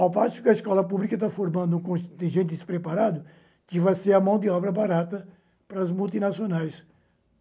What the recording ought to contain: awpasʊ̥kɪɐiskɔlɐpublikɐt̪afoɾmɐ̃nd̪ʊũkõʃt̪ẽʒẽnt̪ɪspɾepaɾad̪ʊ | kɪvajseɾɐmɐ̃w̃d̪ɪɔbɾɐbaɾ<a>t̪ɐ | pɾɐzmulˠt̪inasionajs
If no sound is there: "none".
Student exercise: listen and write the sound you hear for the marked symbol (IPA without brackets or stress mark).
a